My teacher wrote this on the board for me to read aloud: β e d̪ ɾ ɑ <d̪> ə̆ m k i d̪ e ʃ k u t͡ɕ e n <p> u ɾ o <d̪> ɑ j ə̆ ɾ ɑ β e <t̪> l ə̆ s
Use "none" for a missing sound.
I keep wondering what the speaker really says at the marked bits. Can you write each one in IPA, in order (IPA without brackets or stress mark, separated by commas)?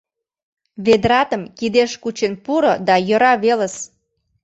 t̪, p, d̪, none